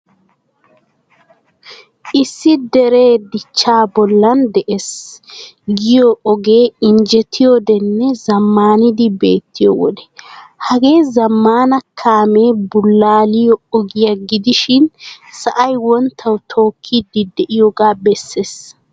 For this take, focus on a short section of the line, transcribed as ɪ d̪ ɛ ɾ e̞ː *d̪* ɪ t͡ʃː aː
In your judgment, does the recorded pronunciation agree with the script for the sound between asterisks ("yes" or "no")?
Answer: yes